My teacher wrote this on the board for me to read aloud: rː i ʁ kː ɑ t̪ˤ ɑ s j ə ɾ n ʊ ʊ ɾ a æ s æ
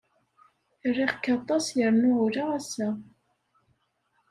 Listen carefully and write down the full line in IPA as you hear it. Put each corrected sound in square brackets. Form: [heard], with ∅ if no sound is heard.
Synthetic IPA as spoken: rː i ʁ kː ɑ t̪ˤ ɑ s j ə ɾ n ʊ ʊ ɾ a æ s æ